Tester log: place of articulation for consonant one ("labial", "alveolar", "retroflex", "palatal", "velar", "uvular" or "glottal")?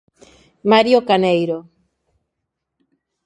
labial